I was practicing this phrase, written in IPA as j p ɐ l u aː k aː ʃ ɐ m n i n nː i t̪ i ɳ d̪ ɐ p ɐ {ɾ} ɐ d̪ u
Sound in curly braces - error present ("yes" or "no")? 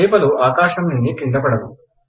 yes